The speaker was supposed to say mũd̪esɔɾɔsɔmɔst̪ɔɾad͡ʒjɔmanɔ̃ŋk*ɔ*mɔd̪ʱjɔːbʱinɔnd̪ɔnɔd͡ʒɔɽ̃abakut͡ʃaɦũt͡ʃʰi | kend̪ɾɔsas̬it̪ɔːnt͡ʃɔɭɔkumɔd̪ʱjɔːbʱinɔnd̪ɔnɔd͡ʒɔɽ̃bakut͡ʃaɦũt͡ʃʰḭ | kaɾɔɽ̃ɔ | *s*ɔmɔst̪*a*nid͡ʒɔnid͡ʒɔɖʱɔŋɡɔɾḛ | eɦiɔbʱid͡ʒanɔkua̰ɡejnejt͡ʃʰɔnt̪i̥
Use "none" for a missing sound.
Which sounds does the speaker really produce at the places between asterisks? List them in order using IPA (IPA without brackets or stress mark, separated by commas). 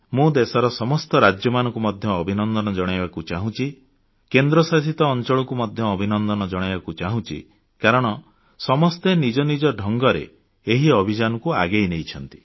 u, s, e